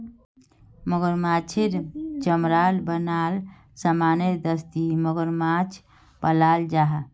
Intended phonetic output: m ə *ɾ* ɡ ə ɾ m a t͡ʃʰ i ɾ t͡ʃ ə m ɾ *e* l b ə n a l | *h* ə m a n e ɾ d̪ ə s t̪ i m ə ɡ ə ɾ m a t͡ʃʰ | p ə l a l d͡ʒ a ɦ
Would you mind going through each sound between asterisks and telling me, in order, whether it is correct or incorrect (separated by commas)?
incorrect, incorrect, incorrect